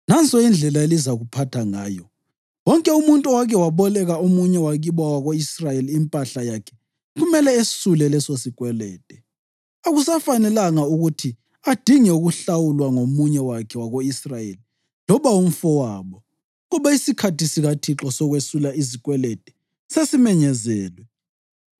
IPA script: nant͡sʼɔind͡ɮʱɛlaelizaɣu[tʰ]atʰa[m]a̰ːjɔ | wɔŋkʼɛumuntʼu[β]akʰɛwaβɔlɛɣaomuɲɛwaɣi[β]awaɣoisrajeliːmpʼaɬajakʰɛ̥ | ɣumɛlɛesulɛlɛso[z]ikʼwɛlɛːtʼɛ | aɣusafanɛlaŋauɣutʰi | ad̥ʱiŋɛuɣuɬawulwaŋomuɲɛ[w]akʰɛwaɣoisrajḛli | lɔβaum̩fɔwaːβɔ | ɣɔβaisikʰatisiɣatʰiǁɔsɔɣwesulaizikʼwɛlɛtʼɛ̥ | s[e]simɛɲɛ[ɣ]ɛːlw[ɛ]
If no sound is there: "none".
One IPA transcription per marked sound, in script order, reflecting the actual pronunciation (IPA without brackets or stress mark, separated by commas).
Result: pʰ, ŋ, w, β, s, w, e, z, ɛ